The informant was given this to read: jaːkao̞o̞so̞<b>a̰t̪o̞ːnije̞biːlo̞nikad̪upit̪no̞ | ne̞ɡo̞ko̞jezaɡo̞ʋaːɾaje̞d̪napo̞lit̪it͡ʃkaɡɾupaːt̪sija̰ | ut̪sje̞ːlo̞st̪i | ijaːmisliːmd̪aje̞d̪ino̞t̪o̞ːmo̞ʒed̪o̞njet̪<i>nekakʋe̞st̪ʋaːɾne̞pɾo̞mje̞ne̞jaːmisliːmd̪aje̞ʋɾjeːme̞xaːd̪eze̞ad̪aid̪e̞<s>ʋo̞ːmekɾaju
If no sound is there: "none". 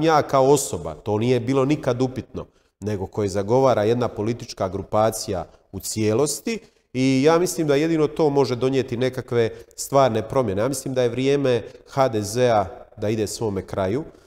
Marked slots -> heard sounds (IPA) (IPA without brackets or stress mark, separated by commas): b, i, s